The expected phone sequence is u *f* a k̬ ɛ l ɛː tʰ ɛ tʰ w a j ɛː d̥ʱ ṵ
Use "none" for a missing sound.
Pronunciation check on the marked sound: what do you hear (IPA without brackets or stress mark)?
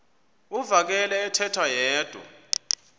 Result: v